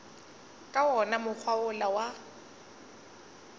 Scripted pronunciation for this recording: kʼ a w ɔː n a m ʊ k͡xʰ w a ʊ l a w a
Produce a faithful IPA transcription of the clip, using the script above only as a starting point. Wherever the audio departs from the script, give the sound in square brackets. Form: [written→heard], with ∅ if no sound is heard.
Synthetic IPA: kʼ a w [ɔː→ɔ] n a m ʊ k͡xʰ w a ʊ l a w a